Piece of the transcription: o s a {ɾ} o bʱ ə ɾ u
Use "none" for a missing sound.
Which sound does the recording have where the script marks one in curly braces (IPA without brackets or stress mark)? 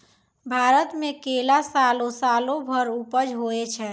l